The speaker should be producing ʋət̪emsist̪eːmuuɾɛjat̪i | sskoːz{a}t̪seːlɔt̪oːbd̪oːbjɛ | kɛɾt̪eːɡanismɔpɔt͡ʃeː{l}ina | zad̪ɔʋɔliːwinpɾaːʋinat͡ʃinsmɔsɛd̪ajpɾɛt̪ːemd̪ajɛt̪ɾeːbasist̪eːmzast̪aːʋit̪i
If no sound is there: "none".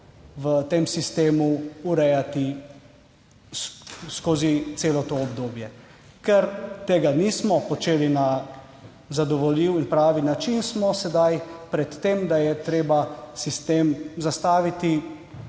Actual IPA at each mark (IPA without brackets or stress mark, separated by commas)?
i, l